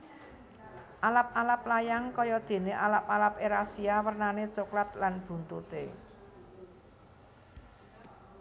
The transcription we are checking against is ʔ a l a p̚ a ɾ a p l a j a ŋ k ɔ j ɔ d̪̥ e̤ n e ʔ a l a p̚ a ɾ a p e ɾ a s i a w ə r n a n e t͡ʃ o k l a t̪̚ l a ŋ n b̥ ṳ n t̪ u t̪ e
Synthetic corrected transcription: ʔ a l a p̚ a l a p l a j a ŋ k ɔ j ɔ d̪̥ e̤ n e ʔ a l a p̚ a l a p e ɾ a s i a w ə r n a n e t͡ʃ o k l a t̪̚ l a n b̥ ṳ n t̪ u t̪ e